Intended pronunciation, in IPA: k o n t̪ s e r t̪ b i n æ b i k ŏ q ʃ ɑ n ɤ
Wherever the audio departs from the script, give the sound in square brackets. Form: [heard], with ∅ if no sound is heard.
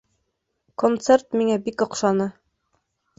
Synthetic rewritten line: k o n t̪ s e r t̪ [m] i [ŋ] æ b i k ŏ q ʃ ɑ n ɤ